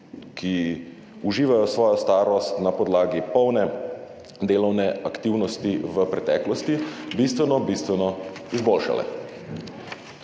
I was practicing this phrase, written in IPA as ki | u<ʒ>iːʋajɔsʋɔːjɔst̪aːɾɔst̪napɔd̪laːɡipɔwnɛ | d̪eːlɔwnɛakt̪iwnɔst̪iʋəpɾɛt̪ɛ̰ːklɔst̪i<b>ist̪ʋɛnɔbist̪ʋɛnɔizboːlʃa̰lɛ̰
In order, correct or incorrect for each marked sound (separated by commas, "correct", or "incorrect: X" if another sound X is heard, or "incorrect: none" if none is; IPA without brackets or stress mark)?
correct, correct